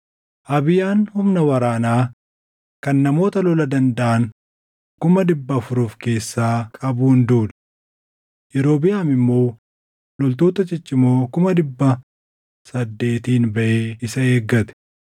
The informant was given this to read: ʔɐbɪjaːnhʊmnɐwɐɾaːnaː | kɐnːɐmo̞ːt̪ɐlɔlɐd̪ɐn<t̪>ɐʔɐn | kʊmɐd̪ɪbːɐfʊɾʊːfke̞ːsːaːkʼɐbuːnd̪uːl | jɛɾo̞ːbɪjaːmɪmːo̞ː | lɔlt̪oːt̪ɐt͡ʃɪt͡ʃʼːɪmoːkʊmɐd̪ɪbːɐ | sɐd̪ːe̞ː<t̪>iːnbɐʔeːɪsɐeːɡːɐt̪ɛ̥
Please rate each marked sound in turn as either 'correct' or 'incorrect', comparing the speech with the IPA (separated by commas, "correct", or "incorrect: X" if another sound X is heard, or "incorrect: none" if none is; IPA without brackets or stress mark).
incorrect: d̪, correct